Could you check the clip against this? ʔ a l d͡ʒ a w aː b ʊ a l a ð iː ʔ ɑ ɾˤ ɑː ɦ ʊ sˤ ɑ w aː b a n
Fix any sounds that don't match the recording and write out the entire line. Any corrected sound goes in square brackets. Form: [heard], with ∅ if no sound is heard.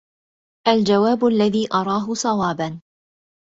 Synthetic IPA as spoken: ʔ a l d͡ʒ a w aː b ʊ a [lː] a ð iː ʔ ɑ ɾˤ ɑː ɦ ʊ sˤ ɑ w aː b a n

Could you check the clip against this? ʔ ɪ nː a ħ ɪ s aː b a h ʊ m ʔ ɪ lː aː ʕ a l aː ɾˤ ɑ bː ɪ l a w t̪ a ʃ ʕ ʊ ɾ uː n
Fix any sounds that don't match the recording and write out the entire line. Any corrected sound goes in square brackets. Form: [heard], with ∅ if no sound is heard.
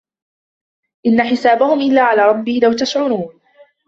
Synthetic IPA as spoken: ʔ ɪ nː a ħ ɪ s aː b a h ʊ m ʔ ɪ lː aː ʕ a l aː ɾˤ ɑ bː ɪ l a w t̪ a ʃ ʕ ʊ ɾ uː n

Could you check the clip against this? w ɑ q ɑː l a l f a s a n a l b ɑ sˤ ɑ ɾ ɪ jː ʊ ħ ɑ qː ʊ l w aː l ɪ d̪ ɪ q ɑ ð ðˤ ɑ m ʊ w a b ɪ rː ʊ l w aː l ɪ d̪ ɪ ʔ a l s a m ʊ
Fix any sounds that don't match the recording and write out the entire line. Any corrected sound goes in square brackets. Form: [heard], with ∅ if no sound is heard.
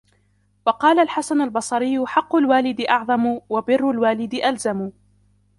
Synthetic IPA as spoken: w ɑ q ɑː l a l [ħ] a s a n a l b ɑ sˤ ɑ ɾ ɪ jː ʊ ħ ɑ qː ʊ l w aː l ɪ d̪ ɪ [ʔ] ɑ [ʕ] ðˤ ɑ m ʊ w a b ɪ rː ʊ l w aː l ɪ d̪ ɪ ʔ a l [z] a m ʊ

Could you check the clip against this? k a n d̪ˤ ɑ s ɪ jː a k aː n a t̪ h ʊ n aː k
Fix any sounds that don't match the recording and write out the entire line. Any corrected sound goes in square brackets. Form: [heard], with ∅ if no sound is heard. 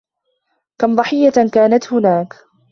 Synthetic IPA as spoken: k a [m] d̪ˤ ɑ [ħ] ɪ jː a k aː n a t̪ h ʊ n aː k

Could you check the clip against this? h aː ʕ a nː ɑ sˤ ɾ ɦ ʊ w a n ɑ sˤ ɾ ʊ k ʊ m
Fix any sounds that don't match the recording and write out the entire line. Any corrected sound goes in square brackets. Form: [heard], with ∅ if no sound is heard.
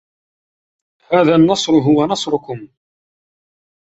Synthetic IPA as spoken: h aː [ð] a nː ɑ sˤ ɾ ɦ ʊ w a n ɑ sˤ ɾ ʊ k ʊ m

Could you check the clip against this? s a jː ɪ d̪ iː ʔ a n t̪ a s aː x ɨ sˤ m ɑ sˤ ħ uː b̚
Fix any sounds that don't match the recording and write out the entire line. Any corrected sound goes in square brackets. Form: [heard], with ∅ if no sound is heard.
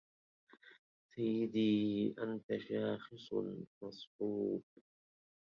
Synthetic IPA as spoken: s a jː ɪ d̪ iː ʔ a n t̪ a [ʃ] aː x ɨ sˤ m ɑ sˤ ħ uː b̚

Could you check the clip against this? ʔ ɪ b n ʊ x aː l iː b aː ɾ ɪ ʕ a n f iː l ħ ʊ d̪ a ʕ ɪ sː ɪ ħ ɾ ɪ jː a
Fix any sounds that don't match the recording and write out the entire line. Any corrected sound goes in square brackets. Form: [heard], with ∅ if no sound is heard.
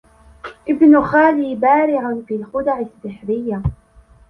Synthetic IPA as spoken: ʔ ɪ b n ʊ x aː l iː b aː ɾ ɪ ʕ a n f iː l [x] ʊ d̪ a ʕ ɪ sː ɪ ħ ɾ ɪ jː a

